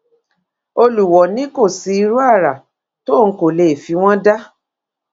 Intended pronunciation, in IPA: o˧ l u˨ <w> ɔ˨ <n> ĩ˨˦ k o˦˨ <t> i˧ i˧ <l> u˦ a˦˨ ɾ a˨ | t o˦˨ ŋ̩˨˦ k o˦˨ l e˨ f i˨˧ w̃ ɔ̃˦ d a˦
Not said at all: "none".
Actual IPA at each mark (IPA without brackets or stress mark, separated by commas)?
w, n, s, ɾ